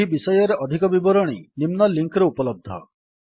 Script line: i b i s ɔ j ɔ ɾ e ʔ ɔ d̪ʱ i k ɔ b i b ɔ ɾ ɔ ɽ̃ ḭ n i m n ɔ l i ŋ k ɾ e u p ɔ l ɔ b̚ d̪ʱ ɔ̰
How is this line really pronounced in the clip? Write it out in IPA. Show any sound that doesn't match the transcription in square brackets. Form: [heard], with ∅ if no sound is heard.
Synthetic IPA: i b i s ɔ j ɔ ɾ e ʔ ɔ d̪ʱ i k ɔ b i b ɔ ɾ ɔ ɽ̃ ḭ n i m n ɔ l i ŋ k ɾ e u p ɔ l ɔ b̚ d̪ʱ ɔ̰